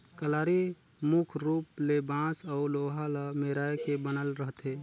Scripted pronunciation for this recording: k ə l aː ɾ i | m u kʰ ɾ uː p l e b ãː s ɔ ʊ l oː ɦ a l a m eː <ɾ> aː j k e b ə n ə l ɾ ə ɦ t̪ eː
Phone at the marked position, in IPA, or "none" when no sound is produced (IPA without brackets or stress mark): ɾ